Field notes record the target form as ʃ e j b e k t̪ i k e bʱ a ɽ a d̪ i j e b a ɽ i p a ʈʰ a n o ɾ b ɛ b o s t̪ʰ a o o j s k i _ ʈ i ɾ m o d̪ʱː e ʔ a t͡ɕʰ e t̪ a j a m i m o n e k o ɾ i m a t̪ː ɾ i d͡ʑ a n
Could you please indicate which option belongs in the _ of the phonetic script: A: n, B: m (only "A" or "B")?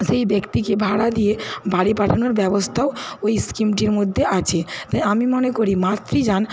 B